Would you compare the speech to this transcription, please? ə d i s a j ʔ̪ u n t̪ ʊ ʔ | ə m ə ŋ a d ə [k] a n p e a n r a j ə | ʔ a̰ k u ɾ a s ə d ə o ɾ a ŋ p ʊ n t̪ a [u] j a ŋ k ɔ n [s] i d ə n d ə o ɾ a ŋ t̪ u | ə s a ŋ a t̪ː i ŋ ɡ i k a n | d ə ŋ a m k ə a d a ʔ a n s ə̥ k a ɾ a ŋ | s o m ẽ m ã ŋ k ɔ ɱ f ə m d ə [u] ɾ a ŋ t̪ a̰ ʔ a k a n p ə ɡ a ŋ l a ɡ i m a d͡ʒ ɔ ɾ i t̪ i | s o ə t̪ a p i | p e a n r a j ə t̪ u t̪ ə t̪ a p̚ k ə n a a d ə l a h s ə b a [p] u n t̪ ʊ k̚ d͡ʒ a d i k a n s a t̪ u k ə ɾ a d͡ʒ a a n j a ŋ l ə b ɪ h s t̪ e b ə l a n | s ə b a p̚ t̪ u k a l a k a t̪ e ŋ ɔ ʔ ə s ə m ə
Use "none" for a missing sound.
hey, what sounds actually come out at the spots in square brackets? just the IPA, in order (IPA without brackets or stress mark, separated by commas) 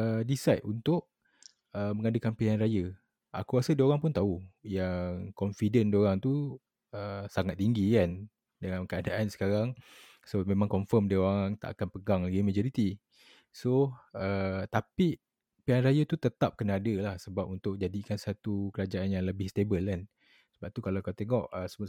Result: k, u, f, o, p